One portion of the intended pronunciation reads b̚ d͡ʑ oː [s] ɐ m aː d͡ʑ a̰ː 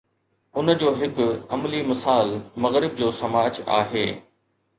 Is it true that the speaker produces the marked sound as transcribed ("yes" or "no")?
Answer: yes